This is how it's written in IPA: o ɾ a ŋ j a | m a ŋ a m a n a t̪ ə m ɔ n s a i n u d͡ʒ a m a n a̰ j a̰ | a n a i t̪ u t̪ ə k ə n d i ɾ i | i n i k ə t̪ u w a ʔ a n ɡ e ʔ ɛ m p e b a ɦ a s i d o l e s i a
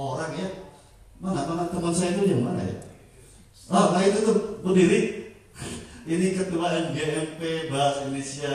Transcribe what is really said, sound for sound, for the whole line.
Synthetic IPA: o ɾ a ŋ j a | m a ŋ a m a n a t̪ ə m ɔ n s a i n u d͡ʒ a m a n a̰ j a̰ | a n a i t̪ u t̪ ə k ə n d i ɾ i | i n i k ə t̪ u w a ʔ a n ɡ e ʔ ɛ m p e b a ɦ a s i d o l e s i a